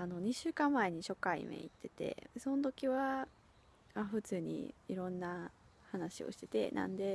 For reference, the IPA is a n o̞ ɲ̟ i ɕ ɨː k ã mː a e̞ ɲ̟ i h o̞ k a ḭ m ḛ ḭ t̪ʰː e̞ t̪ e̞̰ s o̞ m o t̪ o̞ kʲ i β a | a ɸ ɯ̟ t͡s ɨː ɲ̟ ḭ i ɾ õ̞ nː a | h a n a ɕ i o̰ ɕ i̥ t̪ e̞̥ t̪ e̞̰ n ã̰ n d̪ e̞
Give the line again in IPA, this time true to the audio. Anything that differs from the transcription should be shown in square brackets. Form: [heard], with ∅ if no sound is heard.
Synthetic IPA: a n o̞ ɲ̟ i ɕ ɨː k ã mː a e̞ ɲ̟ i [ɕ] o̞ k a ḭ m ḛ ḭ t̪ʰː e̞ t̪ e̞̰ s o̞ [n] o t̪ o̞ kʲ i β a | a ɸ ɯ̟ t͡s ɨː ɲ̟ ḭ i ɾ õ̞ nː a | h a n a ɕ i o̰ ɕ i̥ t̪ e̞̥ t̪ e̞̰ n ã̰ n d̪ e̞

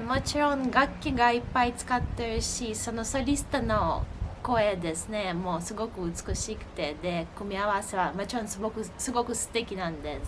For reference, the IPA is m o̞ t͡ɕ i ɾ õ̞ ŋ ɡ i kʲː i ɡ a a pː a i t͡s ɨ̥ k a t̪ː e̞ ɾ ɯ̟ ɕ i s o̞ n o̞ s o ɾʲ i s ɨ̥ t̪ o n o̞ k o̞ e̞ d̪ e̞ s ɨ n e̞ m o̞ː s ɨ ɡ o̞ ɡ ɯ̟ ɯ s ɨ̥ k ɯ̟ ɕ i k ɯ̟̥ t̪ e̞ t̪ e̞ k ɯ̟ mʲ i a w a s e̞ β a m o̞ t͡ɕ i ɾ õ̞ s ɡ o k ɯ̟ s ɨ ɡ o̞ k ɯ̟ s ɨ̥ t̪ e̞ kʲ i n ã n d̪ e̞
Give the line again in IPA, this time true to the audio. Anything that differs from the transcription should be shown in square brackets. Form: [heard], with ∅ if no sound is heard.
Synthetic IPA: m o̞ t͡ɕ i ɾ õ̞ ŋ ɡ [a] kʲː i ɡ a [i] pː a i t͡s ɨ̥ k a t̪ː e̞ ɾ ɯ̟ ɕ i s o̞ n o̞ s o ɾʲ i s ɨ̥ t̪ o n o̞ k o̞ e̞ d̪ e̞ s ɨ n e̞ m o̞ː s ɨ ɡ o̞ [k] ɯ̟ ɯ [t͡s] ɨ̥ k ɯ̟ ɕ i k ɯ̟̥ t̪ e̞ [d̪] e̞ k ɯ̟ mʲ i a [β] a s e̞ β a m o̞ t͡ɕ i ɾ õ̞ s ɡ o k ɯ̟ s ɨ ɡ o̞ k ɯ̟ s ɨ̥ t̪ e̞ kʲ i n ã n d̪ e̞

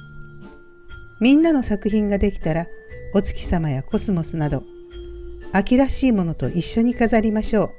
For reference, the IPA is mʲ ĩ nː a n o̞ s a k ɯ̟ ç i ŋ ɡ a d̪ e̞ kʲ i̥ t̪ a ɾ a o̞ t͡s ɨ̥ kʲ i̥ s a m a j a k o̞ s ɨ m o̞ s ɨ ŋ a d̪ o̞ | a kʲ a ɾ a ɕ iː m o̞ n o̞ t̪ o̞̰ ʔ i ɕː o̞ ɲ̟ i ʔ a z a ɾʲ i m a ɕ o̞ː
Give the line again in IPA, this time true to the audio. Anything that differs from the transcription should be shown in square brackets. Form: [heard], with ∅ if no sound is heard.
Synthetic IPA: mʲ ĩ nː a n o̞ s a k ɯ̟ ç [ĩ] ŋ ɡ a d̪ e̞ kʲ i̥ t̪ a ɾ a o̞ t͡s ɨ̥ kʲ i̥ s a m a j a k o̞ s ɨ m o̞ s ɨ [n] a d̪ o̞ | a kʲ [i] ɾ a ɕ iː m o̞ n o̞ t̪ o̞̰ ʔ i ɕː o̞ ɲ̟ i [k] a z a ɾʲ i m a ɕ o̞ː

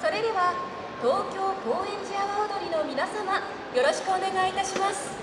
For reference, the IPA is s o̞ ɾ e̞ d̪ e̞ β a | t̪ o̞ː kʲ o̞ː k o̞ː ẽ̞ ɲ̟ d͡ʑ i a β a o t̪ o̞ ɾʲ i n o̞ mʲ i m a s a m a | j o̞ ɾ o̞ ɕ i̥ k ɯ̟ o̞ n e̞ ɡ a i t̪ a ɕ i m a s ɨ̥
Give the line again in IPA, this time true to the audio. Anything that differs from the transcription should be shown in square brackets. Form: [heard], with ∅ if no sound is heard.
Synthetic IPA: s o̞ ɾ e̞ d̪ e̞ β a | t̪ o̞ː kʲ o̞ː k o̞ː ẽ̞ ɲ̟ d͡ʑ i a β a o [d̪] o̞ ɾʲ i n o̞ mʲ i [n] a s a m a | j o̞ ɾ o̞ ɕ i̥ k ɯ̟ o̞ n e̞ ɡ a i t̪ a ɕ i m a s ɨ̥

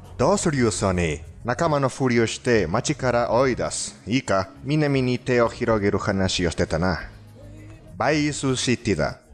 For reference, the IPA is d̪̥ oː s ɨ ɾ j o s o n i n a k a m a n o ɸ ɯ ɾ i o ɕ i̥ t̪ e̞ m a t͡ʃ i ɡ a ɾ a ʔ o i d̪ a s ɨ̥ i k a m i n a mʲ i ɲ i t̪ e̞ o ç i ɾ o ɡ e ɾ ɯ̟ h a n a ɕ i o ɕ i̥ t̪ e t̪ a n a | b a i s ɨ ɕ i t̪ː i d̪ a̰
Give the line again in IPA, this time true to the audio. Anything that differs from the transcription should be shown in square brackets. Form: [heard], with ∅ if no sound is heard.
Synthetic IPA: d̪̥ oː s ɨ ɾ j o s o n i n a k a m a n o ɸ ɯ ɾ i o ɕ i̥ t̪ e̞ m a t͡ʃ i [k] a ɾ a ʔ o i d̪ a s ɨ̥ i k a m i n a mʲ i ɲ i t̪ e̞ o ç i ɾ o ɡ e ɾ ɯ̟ h a n a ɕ i o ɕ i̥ t̪ e t̪ a n a | b a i s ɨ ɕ i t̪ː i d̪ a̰

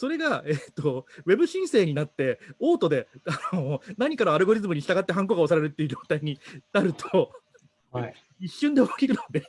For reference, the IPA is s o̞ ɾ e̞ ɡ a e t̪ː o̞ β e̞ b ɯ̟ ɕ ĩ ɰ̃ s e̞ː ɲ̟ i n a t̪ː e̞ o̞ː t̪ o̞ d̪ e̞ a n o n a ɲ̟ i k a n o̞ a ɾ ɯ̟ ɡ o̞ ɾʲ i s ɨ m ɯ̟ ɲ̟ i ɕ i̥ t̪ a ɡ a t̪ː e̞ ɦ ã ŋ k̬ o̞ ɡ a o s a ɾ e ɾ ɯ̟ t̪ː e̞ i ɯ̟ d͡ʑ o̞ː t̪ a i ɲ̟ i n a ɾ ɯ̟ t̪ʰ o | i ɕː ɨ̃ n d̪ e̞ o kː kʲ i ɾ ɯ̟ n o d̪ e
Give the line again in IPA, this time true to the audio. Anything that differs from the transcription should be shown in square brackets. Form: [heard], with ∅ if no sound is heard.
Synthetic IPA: s o̞ ɾ e̞ ɡ a e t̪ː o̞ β e̞ b ɯ̟ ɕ ĩ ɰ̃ s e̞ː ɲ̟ i n a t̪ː e̞ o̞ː t̪ o̞ d̪ e̞ a n o n a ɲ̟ i k a n o̞ a ɾ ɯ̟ ɡ o̞ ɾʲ i [z] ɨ m ɯ̟ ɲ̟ i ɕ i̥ t̪ a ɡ a t̪ː e̞ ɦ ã ŋ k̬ o̞ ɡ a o s a ɾ e ɾ ɯ̟ t̪ː e̞ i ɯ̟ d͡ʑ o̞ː t̪ a i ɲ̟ i n a ɾ ɯ̟ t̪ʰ o | i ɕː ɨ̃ n d̪ e̞ o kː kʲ i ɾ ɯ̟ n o d̪ e

